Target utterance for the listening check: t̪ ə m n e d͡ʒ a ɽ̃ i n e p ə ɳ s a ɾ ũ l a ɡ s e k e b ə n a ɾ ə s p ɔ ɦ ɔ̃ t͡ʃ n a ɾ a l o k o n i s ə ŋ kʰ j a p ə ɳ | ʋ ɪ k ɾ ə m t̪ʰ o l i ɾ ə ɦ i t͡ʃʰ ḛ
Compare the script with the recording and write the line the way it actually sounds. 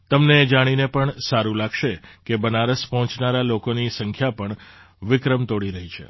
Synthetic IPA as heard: t̪ ə m n e d͡ʒ a ɽ̃ i n e p ə ɳ s a ɾ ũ l a ɡ ʃ e k e b ə n a ɾ ə s p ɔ ɦ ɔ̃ t͡ʃ n a ɾ a l o k o n i s ə ŋ kʰ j a p ə ɳ | ʋ ɪ k ɾ ə m t̪ o ɽ i ɾ ə ɦ i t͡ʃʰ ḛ